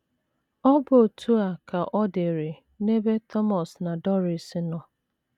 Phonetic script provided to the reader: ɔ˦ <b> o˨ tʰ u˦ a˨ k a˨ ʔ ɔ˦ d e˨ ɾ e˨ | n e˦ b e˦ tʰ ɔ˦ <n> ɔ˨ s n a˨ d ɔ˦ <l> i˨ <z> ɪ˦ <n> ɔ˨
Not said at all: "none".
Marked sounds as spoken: b, m, ɾ, s, n

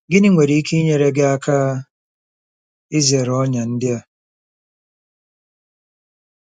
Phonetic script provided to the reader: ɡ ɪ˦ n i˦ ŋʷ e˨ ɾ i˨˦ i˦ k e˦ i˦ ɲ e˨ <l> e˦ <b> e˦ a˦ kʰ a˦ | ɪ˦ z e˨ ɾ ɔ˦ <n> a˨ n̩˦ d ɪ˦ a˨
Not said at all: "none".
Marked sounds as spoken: ɾ, ɡ, ɲ

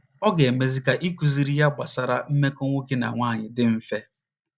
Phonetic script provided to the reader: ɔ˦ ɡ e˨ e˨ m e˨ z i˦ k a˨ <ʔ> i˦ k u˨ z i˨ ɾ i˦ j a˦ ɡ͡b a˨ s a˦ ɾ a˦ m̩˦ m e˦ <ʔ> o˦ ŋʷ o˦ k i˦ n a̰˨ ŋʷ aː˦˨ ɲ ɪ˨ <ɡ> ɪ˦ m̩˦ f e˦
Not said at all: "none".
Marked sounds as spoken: ʔ, k, d

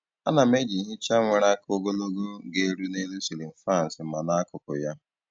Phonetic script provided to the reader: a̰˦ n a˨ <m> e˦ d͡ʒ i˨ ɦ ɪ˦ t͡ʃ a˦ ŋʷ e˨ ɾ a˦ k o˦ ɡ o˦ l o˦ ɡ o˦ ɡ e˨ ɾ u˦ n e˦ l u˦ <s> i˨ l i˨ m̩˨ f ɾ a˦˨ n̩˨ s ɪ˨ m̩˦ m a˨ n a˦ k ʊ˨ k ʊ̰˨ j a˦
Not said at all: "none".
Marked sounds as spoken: m, s

